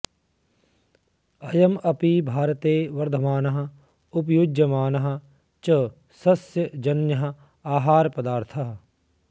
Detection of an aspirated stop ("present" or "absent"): present